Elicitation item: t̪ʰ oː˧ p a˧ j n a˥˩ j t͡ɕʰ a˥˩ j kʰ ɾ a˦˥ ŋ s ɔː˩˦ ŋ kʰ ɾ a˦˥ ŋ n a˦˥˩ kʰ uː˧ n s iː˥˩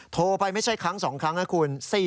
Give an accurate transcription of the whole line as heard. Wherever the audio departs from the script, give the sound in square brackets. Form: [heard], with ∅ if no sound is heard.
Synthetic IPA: t̪ʰ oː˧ p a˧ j [m] a˥˩ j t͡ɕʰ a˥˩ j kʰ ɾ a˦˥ ŋ s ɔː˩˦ ŋ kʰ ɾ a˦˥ ŋ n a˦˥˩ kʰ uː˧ n s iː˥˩